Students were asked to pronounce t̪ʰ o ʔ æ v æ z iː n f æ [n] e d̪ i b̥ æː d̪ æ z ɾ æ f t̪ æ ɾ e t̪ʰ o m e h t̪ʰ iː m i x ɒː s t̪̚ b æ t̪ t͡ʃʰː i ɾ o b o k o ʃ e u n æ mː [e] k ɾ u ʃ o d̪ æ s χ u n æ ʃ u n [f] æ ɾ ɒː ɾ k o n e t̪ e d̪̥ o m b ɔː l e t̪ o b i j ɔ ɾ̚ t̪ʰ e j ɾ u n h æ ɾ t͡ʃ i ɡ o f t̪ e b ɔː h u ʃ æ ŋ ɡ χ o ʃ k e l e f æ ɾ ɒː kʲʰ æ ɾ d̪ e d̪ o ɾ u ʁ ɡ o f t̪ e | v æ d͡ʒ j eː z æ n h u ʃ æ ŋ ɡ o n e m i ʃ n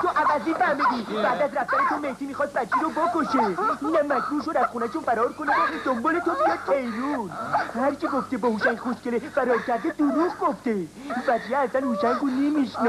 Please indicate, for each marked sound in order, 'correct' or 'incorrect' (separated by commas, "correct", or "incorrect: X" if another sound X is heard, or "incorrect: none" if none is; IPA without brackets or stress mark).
incorrect: m, incorrect: æ, correct